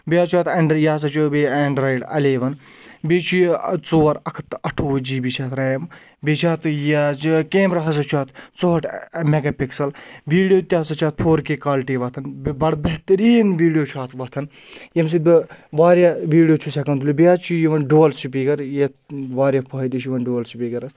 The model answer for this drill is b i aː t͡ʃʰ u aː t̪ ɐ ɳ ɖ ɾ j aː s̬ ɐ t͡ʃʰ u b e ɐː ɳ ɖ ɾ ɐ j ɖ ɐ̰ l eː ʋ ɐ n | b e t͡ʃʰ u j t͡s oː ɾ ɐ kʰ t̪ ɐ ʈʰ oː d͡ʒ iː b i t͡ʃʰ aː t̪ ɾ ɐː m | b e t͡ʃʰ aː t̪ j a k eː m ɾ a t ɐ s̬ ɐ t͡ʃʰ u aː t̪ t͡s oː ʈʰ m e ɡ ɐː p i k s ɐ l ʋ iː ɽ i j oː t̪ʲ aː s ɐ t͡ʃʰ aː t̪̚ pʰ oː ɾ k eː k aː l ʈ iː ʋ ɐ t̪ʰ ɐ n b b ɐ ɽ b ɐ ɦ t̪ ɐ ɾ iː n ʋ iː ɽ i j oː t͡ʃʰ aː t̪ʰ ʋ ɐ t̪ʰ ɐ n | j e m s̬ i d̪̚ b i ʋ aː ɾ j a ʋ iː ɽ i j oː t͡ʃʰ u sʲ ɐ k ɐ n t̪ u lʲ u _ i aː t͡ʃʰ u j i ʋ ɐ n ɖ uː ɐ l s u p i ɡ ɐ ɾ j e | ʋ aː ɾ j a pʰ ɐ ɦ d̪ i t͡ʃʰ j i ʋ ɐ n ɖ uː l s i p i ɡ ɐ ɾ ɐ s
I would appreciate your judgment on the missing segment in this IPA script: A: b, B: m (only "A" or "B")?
A